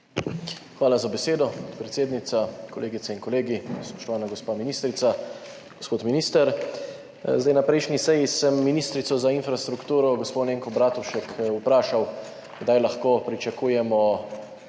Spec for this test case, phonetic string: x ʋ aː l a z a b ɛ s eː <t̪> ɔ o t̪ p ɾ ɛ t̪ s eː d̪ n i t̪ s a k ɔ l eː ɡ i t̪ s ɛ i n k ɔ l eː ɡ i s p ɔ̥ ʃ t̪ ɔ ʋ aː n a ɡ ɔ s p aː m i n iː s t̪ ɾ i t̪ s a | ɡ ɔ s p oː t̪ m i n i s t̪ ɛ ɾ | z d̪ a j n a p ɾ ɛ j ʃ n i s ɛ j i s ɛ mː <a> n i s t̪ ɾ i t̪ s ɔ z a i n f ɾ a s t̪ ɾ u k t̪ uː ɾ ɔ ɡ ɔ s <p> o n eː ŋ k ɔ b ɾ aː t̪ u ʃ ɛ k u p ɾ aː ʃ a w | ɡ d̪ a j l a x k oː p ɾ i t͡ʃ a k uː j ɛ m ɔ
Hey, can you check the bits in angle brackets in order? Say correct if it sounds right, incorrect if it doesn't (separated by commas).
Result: incorrect, incorrect, correct